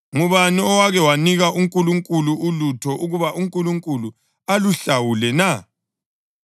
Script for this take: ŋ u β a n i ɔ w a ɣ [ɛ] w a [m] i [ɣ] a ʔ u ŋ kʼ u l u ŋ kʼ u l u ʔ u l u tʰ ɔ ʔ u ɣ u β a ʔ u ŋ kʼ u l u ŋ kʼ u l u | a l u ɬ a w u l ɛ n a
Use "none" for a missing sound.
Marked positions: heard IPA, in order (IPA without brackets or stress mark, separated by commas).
ɛ, n, ɣ